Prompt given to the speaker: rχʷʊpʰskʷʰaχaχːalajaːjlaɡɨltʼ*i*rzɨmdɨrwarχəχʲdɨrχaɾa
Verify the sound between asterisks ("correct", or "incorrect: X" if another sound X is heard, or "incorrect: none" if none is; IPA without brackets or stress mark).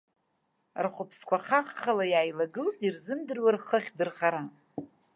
correct